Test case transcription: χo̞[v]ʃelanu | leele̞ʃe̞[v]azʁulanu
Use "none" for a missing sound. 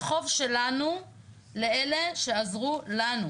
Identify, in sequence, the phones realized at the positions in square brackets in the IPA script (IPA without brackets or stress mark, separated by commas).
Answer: v, none